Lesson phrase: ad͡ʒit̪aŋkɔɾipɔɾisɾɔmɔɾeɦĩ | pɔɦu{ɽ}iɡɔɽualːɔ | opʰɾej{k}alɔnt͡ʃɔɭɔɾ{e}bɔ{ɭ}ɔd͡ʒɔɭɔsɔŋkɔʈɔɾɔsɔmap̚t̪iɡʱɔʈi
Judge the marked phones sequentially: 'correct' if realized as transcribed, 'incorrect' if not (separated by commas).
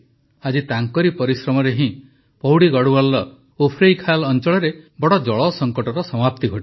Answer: correct, incorrect, correct, incorrect